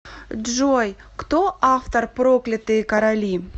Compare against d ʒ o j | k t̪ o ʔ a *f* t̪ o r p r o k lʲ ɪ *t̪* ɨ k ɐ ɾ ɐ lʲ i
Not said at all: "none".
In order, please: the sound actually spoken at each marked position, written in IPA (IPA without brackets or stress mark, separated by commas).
f, t̪